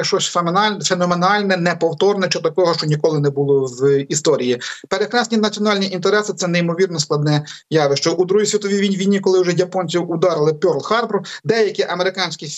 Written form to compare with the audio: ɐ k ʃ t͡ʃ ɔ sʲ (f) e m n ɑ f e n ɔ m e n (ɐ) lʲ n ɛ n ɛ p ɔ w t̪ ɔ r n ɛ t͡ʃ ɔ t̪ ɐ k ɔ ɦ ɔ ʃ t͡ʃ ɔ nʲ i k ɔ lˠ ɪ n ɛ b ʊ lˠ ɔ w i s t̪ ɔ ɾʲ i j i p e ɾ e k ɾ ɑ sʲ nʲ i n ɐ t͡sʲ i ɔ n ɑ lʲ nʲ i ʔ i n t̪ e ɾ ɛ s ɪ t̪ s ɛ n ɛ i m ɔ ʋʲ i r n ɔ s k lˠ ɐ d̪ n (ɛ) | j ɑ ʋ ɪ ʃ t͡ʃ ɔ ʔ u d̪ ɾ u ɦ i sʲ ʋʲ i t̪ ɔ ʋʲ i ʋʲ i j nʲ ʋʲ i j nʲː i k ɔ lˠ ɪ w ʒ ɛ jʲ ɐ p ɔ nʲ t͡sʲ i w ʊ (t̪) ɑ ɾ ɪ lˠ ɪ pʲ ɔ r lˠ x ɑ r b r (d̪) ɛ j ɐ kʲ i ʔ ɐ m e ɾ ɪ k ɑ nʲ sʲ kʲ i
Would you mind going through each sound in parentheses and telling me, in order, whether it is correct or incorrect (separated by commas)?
correct, incorrect, correct, incorrect, correct